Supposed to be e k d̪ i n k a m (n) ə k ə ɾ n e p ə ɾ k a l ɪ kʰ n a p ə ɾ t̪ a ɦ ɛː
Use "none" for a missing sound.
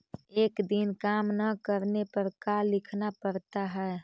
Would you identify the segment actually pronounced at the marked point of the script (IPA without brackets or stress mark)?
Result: n